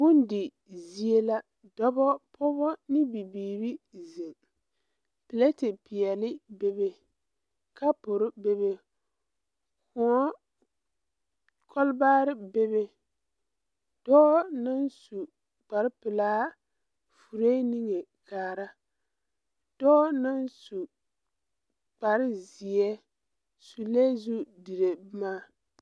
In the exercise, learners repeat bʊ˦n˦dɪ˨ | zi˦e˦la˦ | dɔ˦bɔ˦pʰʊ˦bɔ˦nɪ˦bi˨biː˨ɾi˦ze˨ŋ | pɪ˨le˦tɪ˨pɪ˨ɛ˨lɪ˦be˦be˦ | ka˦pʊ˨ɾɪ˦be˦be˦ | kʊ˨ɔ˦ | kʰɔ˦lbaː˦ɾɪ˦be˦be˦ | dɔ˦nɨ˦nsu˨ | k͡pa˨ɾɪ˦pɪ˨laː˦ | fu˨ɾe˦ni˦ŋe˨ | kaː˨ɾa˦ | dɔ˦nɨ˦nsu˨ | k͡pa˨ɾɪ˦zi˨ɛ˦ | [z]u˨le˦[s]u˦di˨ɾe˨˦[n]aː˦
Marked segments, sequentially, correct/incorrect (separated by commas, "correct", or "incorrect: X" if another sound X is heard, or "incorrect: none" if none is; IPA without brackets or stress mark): incorrect: s, incorrect: z, incorrect: m